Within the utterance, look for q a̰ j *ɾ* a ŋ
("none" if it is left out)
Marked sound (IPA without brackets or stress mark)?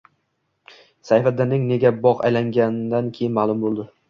l